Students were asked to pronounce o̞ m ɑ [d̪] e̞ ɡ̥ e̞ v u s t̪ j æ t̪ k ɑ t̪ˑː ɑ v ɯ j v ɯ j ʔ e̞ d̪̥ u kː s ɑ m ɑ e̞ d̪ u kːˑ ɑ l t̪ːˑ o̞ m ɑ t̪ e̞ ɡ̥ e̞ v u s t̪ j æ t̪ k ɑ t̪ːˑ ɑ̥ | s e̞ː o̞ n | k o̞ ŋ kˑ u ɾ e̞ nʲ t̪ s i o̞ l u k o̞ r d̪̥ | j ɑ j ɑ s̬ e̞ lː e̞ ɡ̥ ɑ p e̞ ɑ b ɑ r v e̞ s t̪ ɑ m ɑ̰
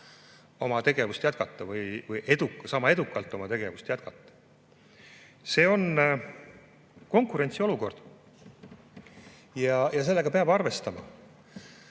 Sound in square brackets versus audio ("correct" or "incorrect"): incorrect